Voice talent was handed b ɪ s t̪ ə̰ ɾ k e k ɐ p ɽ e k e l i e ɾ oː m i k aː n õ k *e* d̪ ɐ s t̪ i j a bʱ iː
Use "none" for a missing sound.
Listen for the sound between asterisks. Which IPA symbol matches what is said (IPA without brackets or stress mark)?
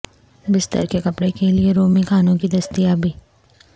i